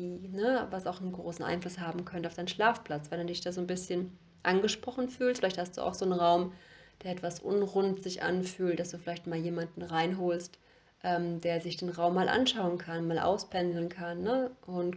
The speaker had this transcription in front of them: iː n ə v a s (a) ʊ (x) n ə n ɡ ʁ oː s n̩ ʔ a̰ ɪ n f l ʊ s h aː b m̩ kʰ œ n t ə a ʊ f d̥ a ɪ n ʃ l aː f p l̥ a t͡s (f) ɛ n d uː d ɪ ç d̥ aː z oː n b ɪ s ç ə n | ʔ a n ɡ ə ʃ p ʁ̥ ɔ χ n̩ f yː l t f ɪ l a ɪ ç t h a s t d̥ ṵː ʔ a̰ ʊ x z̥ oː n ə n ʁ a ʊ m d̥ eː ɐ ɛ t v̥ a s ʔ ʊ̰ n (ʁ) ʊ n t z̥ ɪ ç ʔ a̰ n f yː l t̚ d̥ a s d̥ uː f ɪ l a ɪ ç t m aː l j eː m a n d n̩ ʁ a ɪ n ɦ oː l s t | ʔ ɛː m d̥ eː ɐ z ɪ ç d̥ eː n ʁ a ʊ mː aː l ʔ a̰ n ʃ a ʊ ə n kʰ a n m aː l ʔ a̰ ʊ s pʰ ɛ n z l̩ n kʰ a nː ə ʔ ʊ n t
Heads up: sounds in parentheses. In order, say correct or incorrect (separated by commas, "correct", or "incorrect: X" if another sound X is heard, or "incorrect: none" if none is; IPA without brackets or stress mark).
correct, correct, incorrect: v, correct